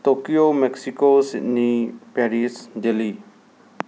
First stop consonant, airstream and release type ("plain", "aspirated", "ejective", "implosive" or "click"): plain